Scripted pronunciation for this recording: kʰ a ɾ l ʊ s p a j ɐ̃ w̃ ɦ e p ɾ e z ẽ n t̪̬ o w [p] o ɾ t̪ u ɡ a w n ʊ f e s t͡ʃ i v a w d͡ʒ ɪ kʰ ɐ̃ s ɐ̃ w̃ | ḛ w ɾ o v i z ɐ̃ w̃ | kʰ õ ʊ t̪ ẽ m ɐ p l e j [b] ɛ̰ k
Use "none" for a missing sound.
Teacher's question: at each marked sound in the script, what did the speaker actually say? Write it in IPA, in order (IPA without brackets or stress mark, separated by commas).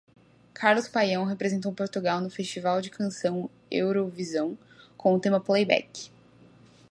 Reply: p, b